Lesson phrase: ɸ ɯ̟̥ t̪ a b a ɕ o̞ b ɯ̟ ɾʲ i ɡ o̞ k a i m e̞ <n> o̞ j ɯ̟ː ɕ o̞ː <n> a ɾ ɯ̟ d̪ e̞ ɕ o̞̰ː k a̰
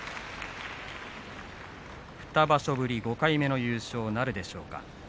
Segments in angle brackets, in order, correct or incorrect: correct, correct

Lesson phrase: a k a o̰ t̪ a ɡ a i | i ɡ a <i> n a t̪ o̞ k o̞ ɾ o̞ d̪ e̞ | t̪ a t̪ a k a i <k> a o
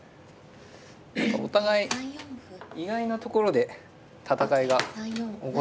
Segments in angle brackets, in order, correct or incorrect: correct, incorrect: ɡ

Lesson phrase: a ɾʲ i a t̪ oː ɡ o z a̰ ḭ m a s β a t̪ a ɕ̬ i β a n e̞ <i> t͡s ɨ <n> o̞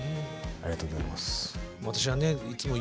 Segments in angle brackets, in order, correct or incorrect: correct, incorrect: m

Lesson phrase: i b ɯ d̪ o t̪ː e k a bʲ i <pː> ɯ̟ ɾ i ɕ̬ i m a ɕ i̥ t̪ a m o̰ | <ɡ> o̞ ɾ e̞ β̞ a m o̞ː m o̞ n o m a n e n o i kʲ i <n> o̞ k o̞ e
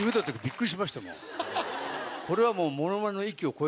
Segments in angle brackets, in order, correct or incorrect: incorrect: kː, incorrect: k, incorrect: none

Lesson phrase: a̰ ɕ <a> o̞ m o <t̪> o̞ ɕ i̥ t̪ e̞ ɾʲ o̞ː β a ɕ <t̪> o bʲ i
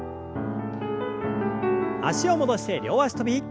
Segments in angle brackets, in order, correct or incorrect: incorrect: i, incorrect: d̪, correct

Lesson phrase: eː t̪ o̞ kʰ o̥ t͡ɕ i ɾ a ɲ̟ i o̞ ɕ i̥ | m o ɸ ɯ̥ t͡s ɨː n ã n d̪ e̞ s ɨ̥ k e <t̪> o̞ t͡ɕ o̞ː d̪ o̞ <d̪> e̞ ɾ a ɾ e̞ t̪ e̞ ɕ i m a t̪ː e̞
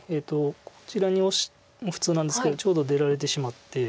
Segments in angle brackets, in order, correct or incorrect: incorrect: d̪, correct

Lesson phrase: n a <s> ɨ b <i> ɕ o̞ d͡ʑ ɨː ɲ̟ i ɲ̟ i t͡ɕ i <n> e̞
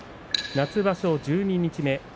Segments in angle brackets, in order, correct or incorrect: incorrect: t͡s, incorrect: a, incorrect: m

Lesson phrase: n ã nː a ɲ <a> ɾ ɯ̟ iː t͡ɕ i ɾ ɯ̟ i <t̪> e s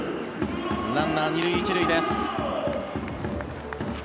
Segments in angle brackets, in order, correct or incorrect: incorrect: i, incorrect: d̪

